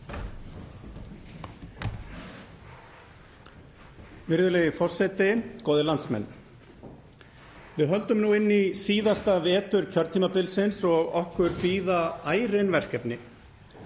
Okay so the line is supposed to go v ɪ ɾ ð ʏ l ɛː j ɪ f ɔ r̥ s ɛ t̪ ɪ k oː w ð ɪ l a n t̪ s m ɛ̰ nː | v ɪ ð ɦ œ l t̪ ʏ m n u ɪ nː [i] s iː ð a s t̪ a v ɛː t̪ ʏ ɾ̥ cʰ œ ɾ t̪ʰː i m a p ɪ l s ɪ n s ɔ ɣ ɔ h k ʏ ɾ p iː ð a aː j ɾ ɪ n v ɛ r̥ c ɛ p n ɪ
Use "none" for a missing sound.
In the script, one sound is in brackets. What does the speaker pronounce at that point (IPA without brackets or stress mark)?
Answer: i